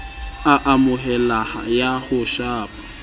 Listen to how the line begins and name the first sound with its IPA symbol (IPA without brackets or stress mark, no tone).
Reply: a